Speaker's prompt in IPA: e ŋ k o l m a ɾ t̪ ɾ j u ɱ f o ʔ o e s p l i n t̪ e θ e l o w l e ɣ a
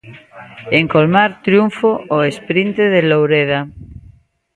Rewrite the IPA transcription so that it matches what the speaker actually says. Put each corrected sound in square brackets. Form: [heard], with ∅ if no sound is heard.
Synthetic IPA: e ŋ k o l m a ɾ t̪ ɾ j u ɱ f o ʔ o e s p [ɾ] i n t̪ e [ð] e l o w [ɾ] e [ð] a